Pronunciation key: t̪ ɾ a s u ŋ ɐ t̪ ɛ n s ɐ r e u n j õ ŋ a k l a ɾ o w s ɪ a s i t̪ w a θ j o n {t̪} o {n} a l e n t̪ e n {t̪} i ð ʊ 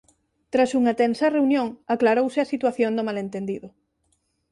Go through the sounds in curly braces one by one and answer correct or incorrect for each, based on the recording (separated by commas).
incorrect, incorrect, incorrect